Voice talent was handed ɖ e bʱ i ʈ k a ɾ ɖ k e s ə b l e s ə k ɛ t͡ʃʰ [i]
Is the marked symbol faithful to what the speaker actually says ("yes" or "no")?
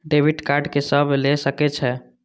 no